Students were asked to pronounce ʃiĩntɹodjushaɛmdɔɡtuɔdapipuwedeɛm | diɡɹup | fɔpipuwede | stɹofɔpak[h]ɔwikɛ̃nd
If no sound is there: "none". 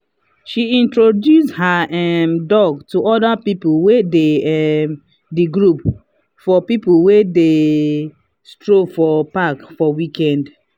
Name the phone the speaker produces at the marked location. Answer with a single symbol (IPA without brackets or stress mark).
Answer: f